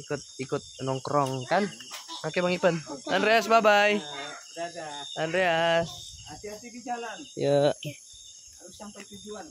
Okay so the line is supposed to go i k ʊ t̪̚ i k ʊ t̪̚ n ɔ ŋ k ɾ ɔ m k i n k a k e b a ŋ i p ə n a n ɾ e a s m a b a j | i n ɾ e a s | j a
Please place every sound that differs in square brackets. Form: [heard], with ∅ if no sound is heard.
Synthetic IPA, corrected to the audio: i k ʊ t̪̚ i k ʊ t̪̚ n ɔ ŋ k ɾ ɔ [ŋ] k [a] n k a k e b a ŋ i p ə n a n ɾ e a s [b] a b a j | [a] n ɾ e a s | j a

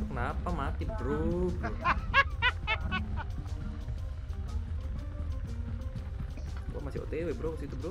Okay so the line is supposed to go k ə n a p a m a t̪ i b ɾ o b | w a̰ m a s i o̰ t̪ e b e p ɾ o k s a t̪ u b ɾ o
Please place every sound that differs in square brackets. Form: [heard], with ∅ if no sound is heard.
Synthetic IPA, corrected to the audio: k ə n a p a m a t̪ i b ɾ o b | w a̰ m a s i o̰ t̪ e [w] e [b] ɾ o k s [i] t̪ u b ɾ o

